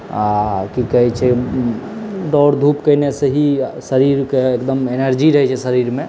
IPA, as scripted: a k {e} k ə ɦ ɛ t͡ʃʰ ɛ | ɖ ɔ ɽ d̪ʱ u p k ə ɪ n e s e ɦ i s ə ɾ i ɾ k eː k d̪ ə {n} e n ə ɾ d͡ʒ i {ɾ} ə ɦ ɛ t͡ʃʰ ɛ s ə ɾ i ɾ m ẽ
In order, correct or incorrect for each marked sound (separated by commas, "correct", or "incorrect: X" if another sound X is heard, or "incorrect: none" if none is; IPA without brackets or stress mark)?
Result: incorrect: i, incorrect: m, correct